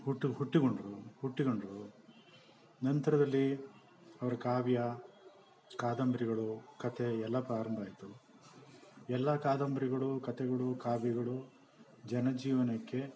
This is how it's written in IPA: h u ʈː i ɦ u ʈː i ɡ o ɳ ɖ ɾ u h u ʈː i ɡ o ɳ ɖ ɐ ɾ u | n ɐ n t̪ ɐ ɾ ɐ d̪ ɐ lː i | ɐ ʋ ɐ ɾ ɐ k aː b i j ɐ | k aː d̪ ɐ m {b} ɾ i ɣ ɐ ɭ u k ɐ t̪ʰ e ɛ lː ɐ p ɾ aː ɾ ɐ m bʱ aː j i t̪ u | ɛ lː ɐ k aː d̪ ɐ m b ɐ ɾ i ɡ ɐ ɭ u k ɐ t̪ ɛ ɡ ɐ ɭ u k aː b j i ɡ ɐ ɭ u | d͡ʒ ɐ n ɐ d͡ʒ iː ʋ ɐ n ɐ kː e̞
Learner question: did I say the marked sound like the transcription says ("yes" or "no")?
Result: yes